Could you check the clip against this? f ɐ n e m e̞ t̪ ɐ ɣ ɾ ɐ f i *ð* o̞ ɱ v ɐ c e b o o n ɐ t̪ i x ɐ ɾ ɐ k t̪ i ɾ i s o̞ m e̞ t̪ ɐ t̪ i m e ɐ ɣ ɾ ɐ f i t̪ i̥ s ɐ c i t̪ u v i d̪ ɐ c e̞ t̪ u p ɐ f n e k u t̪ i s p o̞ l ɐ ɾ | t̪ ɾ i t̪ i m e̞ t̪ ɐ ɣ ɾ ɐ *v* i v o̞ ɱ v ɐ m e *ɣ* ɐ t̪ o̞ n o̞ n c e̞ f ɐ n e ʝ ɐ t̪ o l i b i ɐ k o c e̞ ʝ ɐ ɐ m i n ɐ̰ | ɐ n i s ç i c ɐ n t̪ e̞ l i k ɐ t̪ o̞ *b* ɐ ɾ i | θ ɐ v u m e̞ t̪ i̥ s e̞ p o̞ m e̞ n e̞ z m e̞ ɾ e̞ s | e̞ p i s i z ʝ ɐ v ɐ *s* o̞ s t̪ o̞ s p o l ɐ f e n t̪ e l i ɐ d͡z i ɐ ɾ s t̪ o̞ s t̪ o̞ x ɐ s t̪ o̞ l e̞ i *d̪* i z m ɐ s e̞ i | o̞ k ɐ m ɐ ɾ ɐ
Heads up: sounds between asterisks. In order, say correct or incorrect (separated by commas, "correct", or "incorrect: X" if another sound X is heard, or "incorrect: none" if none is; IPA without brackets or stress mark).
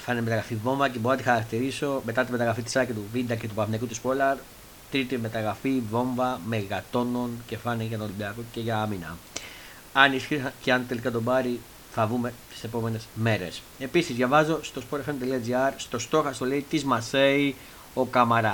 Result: incorrect: v, incorrect: f, correct, correct, incorrect: z, incorrect: t̪